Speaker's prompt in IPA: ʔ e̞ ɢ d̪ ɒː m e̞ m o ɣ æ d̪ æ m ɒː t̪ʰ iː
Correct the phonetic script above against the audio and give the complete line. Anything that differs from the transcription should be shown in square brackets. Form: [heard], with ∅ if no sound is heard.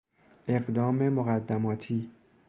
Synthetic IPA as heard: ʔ e̞ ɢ d̪ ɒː m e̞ m o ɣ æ [d̪ː] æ m ɒː t̪ʰ iː